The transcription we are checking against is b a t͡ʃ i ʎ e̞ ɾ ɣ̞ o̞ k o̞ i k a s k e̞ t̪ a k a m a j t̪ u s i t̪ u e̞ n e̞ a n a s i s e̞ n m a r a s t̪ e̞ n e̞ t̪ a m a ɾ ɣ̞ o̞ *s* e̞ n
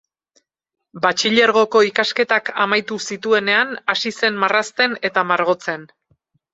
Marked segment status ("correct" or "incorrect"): incorrect